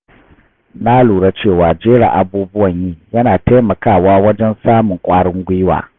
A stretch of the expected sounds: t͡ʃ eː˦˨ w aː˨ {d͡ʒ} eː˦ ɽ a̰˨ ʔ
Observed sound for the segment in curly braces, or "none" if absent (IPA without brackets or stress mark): d͡ʒ